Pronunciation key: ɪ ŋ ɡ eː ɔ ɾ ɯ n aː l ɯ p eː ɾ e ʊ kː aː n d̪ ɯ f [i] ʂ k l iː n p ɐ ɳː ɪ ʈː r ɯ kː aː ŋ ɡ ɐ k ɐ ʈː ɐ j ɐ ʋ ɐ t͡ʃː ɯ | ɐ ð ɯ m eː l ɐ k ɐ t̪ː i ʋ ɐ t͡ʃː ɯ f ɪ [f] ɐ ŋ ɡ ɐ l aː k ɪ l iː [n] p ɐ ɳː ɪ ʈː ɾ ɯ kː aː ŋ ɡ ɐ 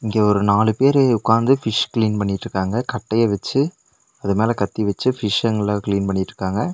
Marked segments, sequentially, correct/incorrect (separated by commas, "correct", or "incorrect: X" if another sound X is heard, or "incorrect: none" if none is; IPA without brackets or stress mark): incorrect: ɪ, incorrect: ʂ, correct